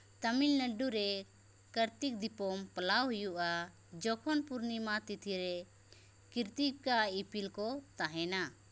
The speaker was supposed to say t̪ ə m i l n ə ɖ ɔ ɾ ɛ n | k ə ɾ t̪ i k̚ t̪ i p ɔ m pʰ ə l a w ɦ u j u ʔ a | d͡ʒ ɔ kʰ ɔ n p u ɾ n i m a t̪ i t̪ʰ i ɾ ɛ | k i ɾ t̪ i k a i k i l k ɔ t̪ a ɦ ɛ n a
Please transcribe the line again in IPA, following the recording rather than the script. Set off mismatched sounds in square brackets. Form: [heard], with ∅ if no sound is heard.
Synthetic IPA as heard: t̪ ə m i l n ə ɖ [u] ɾ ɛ [∅] | k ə ɾ t̪ i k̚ [d̪] i p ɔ m [p] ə l a w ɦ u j u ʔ a | d͡ʒ ɔ kʰ ɔ n p u ɾ n i m a t̪ i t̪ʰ i ɾ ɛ | k i ɾ t̪ i k a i [p] i l k ɔ t̪ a ɦ ɛ n a